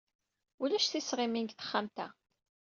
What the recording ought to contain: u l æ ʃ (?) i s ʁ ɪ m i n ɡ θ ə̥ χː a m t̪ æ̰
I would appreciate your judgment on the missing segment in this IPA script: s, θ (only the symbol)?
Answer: θ